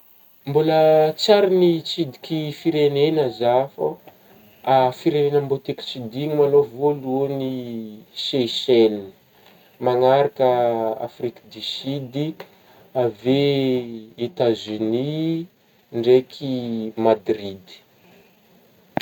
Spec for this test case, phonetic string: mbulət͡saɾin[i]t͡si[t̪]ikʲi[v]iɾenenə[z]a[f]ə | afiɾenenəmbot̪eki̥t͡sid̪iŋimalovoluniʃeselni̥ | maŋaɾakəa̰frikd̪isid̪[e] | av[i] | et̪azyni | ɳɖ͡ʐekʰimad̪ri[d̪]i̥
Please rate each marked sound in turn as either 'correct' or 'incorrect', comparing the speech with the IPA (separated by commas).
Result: correct, incorrect, incorrect, correct, correct, incorrect, incorrect, correct